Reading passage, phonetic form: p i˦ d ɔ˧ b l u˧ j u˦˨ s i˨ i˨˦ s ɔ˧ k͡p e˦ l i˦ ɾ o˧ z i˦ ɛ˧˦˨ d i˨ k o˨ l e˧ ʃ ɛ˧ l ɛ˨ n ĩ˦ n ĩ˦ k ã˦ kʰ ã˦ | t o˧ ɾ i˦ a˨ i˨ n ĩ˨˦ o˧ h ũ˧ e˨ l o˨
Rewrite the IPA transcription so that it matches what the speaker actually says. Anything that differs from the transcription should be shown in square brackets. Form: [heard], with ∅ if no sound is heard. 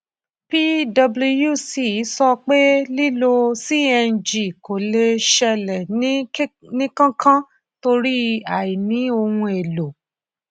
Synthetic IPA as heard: p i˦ d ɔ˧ b l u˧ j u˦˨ s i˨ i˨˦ s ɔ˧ k͡p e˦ l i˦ [l] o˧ [s] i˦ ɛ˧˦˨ [d͡ʒ] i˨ k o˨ l e˧ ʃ ɛ˧ l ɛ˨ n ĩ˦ n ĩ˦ k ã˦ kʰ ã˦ | t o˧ ɾ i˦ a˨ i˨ n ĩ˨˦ o˧ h ũ˧ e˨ l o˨